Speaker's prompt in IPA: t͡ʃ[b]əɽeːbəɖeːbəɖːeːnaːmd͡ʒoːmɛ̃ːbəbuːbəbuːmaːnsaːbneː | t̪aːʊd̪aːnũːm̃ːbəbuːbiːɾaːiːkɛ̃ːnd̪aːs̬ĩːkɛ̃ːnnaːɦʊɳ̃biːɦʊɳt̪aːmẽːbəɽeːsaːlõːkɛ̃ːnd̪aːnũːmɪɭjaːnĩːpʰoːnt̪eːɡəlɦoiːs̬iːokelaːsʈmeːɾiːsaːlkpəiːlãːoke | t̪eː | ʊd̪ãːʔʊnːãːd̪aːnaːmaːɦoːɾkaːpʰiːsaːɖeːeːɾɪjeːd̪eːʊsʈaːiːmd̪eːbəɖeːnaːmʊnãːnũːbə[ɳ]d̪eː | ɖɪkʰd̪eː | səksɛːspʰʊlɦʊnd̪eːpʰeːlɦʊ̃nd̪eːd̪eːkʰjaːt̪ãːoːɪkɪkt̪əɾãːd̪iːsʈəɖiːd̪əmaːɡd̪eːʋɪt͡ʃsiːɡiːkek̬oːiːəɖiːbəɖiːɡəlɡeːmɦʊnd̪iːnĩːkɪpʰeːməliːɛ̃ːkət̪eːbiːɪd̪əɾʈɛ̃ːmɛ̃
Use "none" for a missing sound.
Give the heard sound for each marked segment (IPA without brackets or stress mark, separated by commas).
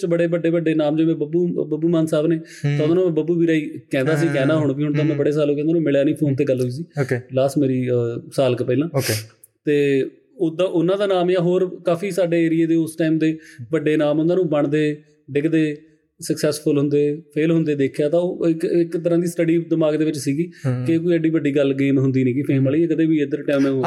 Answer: b, ɳ